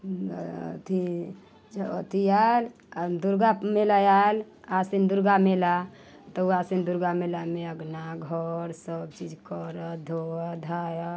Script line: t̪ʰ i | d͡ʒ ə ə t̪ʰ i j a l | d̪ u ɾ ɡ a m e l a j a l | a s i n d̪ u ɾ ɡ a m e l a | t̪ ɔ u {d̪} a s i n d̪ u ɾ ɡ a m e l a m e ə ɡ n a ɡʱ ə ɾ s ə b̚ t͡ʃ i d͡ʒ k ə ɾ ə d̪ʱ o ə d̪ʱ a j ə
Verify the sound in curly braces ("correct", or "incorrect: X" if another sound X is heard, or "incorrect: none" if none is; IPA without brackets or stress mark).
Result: incorrect: none